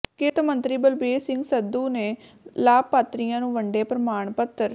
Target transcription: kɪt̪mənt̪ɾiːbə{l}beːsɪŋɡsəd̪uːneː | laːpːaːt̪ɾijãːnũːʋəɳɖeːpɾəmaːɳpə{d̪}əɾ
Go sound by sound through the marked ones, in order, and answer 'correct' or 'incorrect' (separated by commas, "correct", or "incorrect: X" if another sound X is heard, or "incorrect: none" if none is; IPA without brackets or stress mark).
correct, incorrect: t̪